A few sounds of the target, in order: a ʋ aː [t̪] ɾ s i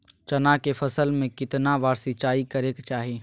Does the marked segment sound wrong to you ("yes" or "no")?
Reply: yes